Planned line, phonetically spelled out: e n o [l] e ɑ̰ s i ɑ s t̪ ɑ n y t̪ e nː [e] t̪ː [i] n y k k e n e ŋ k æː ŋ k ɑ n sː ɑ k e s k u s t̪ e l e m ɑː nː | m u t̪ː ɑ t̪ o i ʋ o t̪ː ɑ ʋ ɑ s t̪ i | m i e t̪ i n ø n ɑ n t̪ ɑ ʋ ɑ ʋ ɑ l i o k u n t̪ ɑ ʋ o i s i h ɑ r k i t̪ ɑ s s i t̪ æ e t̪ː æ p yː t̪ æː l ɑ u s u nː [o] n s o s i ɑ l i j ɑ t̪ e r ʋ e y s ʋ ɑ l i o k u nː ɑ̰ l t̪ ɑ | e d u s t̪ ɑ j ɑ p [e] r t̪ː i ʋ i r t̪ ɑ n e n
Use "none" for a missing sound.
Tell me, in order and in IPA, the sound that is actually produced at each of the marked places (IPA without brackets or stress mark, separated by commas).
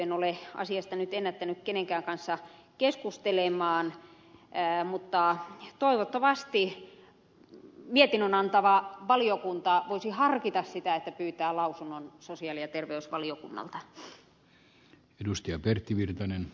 l, æ, æ, o, e